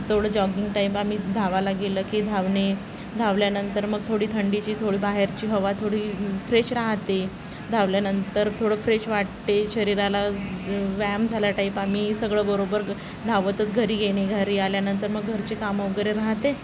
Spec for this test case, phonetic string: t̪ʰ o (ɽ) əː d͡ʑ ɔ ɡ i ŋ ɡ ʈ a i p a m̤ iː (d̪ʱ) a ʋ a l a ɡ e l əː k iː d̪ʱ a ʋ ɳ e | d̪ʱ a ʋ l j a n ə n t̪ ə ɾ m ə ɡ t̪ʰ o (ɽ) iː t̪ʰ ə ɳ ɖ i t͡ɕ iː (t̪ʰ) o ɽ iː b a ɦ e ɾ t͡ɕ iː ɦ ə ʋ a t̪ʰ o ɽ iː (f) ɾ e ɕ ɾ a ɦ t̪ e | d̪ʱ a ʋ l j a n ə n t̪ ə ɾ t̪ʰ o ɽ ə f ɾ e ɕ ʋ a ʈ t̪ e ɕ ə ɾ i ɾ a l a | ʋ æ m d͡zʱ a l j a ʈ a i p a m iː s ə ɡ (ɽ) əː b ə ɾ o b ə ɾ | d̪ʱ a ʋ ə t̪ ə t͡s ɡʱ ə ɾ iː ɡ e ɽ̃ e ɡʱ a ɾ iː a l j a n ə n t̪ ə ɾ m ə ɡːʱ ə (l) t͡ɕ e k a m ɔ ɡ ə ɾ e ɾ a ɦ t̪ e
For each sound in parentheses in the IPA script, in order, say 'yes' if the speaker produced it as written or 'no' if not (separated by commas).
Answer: yes, yes, yes, yes, yes, no, no